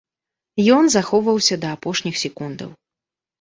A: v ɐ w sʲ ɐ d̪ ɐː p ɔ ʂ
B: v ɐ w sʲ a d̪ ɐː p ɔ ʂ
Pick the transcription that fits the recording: A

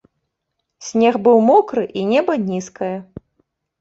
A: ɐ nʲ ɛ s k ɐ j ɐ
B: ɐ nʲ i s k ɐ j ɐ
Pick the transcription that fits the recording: B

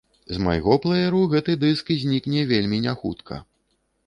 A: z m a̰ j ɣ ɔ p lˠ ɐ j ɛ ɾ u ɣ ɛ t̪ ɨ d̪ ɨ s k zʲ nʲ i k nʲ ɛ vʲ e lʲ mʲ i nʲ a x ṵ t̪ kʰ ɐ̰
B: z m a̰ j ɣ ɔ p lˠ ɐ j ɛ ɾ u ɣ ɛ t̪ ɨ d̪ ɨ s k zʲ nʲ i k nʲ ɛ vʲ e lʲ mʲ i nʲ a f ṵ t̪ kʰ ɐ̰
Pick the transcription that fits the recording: A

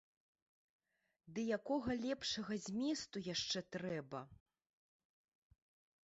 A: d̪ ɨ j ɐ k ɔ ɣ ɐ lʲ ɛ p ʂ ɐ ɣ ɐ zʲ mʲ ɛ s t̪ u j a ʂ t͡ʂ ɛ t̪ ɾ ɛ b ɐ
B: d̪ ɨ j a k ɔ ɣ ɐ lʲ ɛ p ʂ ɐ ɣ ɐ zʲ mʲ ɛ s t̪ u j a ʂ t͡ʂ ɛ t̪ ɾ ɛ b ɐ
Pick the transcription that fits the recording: B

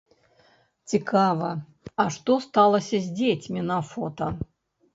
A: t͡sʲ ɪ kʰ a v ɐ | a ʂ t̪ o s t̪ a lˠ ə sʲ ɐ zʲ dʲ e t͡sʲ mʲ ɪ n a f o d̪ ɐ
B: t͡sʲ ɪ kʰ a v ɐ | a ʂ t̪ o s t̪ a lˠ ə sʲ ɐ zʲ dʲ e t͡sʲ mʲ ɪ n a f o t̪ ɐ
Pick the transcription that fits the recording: B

